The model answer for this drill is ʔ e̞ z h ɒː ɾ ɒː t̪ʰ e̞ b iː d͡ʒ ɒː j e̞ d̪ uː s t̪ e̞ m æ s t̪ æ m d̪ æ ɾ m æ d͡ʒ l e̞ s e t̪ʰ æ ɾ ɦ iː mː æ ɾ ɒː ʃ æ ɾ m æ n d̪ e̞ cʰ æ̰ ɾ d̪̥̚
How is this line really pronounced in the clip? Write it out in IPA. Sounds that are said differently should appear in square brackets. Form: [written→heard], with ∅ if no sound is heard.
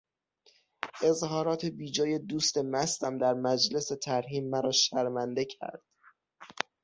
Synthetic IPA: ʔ e̞ z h ɒː ɾ ɒː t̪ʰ e̞ b iː d͡ʒ ɒː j e̞ d̪ uː s t̪ e̞ m æ s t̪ æ m d̪ æ ɾ m æ d͡ʒ l e̞ s e t̪ʰ æ ɾ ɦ iː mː æ ɾ ɒː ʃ æ ɾ m æ n d̪ e̞ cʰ æ̰ ɾ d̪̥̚

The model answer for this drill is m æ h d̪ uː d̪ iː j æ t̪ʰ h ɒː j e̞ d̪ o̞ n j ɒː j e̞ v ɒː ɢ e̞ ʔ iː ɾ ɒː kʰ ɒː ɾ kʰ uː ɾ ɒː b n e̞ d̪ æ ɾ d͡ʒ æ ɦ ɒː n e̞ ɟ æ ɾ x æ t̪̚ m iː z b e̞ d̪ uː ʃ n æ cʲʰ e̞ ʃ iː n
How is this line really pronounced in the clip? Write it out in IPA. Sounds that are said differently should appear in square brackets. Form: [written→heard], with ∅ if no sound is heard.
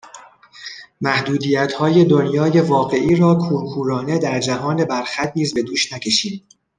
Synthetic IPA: m æ h d̪ uː d̪ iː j æ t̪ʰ h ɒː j e̞ d̪ o̞ n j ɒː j e̞ v ɒː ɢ e̞ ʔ iː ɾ ɒː kʰ [ɒː→uː] ɾ kʰ uː ɾ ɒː [b→∅] n e̞ d̪ æ ɾ d͡ʒ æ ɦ ɒː n e̞ [ɟ→b] æ ɾ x æ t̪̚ [m→n] iː z b e̞ d̪ uː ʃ n æ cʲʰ e̞ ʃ iː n

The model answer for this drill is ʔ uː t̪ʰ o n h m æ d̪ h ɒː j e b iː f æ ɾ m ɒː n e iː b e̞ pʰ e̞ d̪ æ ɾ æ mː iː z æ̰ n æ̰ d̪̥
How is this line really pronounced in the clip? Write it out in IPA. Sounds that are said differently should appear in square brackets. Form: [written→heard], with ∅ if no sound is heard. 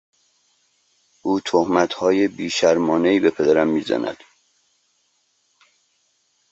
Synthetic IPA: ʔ uː t̪ʰ o [n→∅] h m æ [d̪→t̪] h ɒː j e b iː [f→ʃ] æ ɾ m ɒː n e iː b e̞ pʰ e̞ d̪ æ ɾ æ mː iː z æ̰ n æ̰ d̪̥

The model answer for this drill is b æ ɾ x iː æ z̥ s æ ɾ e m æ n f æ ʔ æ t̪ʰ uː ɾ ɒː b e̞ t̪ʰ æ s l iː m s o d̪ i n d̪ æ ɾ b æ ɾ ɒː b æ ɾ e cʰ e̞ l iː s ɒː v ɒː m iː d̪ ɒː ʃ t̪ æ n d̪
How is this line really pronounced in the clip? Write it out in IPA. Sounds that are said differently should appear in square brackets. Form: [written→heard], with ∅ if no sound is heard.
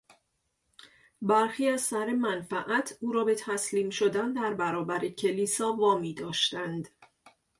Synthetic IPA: b æ ɾ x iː æ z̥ s æ ɾ e m æ n f æ ʔ æ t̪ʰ uː ɾ ɒː b e̞ t̪ʰ æ s l iː m [s→ʃ] o d̪ [i→æ] n d̪ æ ɾ b æ ɾ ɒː b æ ɾ e cʰ e̞ l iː s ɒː v ɒː m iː d̪ ɒː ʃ t̪ æ n d̪

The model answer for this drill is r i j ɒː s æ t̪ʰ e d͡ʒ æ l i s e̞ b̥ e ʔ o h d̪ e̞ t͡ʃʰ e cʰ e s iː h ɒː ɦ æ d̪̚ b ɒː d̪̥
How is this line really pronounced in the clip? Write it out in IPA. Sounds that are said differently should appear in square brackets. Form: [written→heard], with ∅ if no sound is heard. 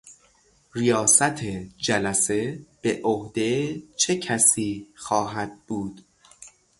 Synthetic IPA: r i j ɒː s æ t̪ʰ e d͡ʒ æ l [i→æ] s e̞ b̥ e ʔ o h d̪ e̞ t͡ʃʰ e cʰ [e→æ] s iː [h→x] ɒː ɦ æ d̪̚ b [ɒː→uː] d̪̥

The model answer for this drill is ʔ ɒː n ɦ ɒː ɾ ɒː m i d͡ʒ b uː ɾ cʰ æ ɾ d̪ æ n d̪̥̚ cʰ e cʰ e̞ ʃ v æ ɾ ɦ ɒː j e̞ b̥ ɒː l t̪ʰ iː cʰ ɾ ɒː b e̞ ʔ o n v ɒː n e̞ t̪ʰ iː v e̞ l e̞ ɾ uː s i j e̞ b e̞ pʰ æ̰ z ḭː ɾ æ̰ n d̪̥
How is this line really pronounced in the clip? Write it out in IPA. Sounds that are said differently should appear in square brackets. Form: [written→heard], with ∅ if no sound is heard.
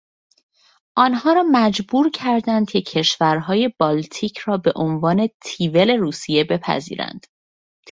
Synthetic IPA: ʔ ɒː n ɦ ɒː ɾ ɒː m [i→æ] d͡ʒ b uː ɾ cʰ æ ɾ d̪ æ n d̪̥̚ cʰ e cʰ e̞ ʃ v æ ɾ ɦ ɒː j e̞ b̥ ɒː l t̪ʰ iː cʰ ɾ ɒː b e̞ ʔ o n v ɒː n e̞ t̪ʰ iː v e̞ l e̞ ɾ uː s i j e̞ b e̞ pʰ æ̰ z ḭː ɾ æ̰ n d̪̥

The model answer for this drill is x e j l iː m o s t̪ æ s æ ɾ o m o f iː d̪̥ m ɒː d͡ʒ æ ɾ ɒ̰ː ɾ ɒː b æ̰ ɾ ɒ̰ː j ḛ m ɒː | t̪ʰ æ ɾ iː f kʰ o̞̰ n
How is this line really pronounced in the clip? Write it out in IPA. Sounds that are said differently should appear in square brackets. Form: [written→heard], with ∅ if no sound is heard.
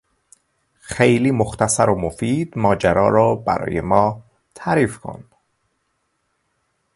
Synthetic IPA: x e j l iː m o [s→x] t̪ æ s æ ɾ o m o f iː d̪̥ m ɒː d͡ʒ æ ɾ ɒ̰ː ɾ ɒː b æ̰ ɾ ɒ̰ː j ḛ m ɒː | t̪ʰ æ ɾ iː f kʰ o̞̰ n

